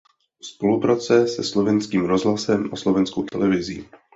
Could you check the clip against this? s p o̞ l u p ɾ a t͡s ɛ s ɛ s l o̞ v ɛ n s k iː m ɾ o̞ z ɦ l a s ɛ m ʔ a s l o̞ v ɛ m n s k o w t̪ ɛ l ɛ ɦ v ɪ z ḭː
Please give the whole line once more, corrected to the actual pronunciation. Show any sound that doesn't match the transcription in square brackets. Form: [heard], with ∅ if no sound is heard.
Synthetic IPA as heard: s p o̞ l u p ɾ a t͡s ɛ s ɛ s l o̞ v ɛ n s k iː m ɾ o̞ z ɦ l a s ɛ m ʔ a s l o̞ v ɛ [∅] n s k o w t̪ ɛ l ɛ [∅] v ɪ z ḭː